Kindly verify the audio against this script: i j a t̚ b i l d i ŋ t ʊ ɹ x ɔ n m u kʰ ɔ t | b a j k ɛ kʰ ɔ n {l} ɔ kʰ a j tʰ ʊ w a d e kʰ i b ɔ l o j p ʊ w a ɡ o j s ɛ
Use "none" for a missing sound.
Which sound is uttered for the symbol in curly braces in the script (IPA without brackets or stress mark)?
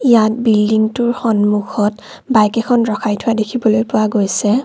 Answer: ɹ